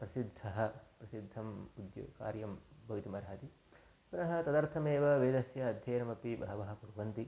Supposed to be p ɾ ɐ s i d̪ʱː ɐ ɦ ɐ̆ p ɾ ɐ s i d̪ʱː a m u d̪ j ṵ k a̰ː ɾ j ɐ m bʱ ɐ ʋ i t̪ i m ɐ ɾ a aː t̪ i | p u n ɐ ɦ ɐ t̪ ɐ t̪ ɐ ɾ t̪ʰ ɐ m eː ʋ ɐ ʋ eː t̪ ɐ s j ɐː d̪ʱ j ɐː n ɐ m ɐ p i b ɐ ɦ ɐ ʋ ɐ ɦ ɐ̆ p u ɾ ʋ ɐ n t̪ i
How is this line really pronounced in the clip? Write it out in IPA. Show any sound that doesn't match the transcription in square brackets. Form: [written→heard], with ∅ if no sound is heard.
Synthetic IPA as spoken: p ɾ ɐ s i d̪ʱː ɐ ɦ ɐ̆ p ɾ ɐ s i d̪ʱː [a→ɐ] m u d̪ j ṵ k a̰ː ɾ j ɐ m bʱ ɐ ʋ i t̪ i m ɐ ɾ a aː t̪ i | p u n ɐ ɦ ɐ t̪ ɐ [t̪→d̪] ɐ ɾ t̪ʰ ɐ m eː ʋ ɐ ʋ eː [t̪→d̪] ɐ s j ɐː d̪ʱ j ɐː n ɐ m ɐ p i b ɐ ɦ ɐ ʋ ɐ ɦ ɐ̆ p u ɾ ʋ ɐ n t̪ i